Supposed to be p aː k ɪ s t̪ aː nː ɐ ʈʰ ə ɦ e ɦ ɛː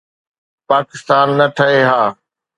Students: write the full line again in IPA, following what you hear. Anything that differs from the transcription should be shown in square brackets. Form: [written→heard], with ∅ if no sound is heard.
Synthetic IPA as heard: p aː k ɪ s t̪ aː nː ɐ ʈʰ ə ɦ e ɦ [ɛː→aː]